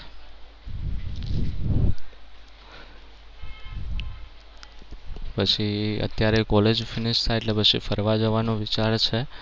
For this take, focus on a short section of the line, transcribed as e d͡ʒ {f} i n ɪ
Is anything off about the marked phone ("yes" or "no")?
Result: no